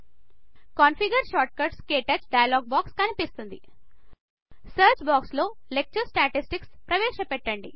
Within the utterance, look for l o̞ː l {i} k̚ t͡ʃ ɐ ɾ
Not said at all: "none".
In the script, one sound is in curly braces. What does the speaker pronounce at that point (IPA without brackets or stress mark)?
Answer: e